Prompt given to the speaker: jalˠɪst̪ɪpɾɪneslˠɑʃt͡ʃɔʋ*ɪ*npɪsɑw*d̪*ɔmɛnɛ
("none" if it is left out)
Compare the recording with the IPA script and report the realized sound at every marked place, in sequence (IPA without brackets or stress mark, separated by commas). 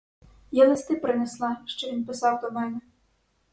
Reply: i, d̪